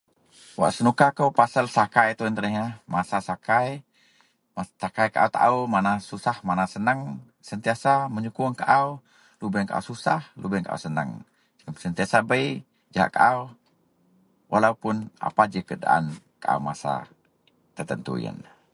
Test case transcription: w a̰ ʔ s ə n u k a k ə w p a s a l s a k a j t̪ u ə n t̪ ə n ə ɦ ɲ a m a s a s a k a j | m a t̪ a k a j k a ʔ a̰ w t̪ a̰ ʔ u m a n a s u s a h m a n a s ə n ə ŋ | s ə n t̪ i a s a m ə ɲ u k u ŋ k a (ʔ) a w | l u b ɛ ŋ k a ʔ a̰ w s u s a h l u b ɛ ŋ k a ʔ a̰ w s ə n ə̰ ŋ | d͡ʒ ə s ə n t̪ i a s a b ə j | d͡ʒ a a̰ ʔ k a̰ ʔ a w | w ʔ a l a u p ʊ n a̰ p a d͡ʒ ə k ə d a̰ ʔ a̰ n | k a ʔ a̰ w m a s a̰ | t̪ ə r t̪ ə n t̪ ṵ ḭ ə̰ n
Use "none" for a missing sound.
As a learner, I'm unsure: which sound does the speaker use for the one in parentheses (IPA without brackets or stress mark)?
ʔ